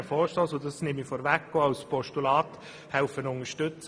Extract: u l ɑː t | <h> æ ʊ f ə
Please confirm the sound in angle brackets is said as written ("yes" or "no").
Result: yes